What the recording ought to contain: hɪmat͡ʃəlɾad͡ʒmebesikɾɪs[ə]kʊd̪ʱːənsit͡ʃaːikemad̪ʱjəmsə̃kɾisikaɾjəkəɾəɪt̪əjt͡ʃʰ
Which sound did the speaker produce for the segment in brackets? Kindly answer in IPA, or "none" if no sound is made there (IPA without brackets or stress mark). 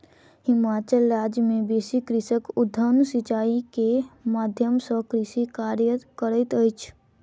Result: ə